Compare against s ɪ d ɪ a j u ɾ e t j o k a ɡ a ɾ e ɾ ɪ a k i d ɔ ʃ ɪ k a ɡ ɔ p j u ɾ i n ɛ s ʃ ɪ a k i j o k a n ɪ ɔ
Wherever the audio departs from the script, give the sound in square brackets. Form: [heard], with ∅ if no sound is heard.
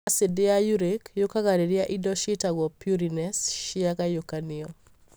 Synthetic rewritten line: s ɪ d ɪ a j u ɾ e [k] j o k a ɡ a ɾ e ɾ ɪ a [ʔ] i d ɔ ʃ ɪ [t] a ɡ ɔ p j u ɾ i n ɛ s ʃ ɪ a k [a] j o k a n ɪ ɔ